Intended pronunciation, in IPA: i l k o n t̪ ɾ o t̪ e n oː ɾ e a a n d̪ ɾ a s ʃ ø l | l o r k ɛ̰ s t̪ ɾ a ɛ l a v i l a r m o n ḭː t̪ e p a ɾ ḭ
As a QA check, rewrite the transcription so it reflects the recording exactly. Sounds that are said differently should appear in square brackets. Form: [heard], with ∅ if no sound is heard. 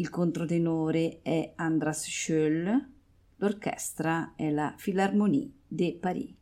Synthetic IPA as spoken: i l k o n t̪ ɾ o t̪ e n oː ɾ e [ɛ] a n d̪ ɾ a s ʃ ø l | l o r k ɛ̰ s t̪ ɾ a ɛ l a [f] i l a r m o n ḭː [d̪] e p a ɾ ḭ